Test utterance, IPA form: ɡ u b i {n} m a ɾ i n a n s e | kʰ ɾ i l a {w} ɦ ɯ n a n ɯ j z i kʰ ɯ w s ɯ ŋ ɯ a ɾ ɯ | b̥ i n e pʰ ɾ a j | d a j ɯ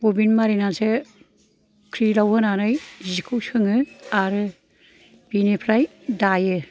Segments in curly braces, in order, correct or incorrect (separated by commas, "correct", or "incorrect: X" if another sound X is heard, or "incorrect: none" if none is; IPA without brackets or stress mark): correct, correct